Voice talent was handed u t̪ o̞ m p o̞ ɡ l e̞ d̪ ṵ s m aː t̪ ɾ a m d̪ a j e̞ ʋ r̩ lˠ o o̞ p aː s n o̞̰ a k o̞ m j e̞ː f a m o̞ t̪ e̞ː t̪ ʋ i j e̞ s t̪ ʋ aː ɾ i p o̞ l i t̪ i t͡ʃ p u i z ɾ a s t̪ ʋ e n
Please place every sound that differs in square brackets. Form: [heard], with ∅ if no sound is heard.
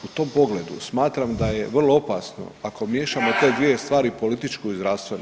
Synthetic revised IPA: u t̪ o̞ m p o̞ ɡ l e̞ d̪ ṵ s m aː t̪ ɾ a m d̪ a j e̞ ʋ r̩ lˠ o o̞ p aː s n o̞̰ a k o̞ m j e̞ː [ʃ] a m o̞ t̪ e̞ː [d̪] ʋ i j e̞ s t̪ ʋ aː ɾ i p o̞ l i t̪ i t͡ʃ [k] u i z ɾ a s t̪ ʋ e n